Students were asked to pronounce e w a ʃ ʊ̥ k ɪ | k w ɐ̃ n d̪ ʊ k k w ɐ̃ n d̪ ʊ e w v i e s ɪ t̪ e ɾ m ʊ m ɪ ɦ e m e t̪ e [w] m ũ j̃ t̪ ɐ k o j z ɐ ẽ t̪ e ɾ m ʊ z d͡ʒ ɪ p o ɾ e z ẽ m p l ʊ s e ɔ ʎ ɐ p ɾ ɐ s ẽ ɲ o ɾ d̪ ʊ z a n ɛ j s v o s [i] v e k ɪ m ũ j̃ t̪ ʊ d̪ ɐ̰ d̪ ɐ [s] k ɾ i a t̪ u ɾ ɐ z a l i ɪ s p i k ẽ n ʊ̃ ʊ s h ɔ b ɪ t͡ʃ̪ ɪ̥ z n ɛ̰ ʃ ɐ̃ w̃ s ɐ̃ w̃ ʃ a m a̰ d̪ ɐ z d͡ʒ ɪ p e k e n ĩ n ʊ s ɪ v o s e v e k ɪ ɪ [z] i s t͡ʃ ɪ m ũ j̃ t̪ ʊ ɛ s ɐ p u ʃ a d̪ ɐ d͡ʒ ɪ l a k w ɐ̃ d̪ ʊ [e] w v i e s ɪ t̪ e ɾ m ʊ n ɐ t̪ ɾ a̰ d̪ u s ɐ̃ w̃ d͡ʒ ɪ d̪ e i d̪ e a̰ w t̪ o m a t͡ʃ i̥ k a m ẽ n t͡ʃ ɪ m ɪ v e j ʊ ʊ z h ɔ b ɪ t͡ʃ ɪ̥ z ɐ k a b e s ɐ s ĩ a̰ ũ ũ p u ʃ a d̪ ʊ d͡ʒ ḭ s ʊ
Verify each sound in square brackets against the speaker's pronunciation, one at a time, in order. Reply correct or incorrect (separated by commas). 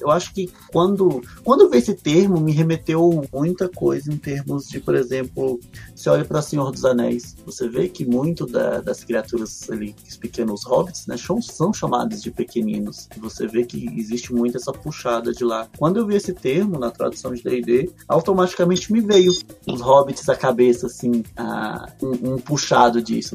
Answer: correct, incorrect, correct, correct, correct